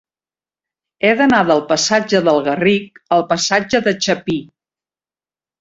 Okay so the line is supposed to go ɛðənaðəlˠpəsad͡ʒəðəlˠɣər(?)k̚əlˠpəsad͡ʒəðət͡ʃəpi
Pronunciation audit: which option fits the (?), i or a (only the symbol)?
i